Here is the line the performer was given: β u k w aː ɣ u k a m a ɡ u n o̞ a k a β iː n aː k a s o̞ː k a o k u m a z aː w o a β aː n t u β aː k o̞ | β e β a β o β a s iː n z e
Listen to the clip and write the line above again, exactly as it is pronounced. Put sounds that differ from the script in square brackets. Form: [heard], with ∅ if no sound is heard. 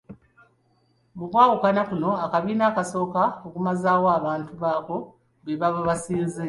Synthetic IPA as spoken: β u k w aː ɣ u k a [n] a [k] u n o̞ a k a β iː n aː k a s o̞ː k a o k u m a z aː w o a β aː n t u β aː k o̞ | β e β a β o β a s iː n z e